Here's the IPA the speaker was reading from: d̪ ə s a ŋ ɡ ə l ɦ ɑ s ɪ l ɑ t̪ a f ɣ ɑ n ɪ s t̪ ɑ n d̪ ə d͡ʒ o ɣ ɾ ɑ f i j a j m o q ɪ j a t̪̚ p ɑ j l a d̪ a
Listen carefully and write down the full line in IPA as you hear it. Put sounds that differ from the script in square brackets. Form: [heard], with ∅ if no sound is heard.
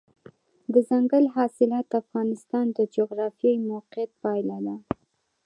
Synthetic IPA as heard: d̪ ə [z] a ŋ ɡ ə l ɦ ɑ s ɪ l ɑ t̪ a f ɣ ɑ n ɪ s t̪ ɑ n d̪ ə d͡ʒ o ɣ ɾ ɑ f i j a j m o q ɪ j a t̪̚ p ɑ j l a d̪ a